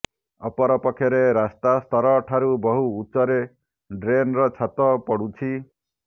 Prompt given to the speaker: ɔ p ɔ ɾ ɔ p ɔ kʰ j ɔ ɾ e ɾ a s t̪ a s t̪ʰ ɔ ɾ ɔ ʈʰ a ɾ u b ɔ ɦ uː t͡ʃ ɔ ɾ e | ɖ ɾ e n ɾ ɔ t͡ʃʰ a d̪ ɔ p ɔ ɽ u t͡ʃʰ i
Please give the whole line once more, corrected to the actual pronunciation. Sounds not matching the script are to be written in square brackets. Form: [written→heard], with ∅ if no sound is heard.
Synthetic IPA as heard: ɔ p ɔ ɾ ɔ p ɔ kʰ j ɔ ɾ e ɾ a s t̪ a s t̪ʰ ɔ ɾ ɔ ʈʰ a ɾ u b ɔ ɦ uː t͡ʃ ɔ ɾ e | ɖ ɾ e n ɾ ɔ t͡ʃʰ a [d̪→t̪] ɔ p ɔ ɽ u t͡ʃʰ i